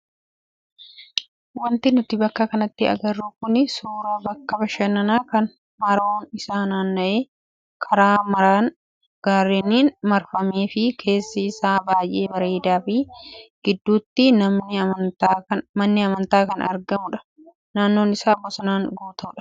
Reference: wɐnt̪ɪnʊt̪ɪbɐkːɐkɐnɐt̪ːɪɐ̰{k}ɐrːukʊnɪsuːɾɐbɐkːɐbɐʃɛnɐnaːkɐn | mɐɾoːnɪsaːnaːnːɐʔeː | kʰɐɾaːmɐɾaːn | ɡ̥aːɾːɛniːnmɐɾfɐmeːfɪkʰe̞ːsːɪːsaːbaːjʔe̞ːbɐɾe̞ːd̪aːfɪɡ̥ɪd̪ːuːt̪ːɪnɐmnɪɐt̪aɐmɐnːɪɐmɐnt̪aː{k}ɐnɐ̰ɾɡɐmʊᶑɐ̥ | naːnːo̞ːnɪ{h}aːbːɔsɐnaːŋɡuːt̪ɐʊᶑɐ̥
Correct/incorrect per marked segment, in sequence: incorrect: ɡ, correct, incorrect: s

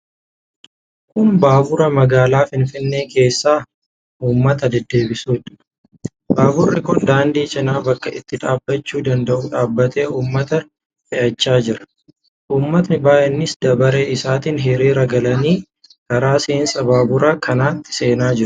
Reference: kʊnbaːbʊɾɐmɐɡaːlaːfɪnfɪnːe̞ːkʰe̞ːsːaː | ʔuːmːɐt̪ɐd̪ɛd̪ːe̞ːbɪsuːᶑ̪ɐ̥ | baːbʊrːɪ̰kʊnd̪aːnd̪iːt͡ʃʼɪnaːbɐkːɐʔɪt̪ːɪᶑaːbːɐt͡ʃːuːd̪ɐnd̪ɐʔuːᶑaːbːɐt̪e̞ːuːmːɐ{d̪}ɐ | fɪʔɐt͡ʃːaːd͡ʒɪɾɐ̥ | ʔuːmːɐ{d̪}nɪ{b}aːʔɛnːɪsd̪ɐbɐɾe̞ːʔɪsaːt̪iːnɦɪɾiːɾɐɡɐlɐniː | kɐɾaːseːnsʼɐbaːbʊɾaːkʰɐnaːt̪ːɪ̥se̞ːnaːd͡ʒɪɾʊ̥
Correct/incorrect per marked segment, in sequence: incorrect: t̪, incorrect: t̪, correct

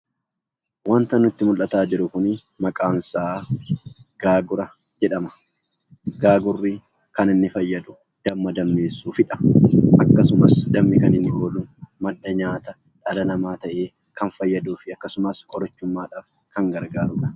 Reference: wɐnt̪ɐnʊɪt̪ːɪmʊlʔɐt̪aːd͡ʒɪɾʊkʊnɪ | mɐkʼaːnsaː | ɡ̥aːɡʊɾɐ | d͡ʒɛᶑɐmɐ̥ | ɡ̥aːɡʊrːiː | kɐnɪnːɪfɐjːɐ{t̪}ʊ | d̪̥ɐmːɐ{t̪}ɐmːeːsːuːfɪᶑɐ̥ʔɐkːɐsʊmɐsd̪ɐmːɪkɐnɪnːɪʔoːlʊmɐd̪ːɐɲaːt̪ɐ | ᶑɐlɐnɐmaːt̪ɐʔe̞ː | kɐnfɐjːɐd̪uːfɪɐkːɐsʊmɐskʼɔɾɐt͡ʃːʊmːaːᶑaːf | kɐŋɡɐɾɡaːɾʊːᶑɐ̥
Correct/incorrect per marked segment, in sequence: incorrect: d̪, incorrect: d̪

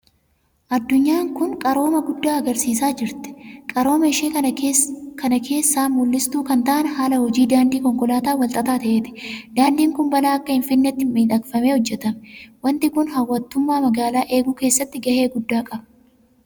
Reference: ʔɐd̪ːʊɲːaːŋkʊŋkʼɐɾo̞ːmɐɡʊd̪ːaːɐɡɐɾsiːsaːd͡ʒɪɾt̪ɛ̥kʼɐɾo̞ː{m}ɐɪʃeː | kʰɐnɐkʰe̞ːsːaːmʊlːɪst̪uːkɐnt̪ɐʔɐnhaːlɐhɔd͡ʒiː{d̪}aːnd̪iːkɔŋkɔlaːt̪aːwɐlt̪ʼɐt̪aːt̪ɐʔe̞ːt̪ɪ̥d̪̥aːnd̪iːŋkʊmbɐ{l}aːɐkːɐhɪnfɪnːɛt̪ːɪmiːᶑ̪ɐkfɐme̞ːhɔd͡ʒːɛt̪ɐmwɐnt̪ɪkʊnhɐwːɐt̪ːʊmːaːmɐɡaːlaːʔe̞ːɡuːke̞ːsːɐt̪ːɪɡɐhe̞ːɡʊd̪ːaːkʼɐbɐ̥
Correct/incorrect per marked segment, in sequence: correct, correct, correct

